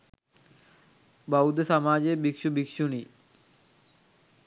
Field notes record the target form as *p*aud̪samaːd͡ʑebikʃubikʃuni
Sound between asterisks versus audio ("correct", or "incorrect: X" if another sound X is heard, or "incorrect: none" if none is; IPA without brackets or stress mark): incorrect: b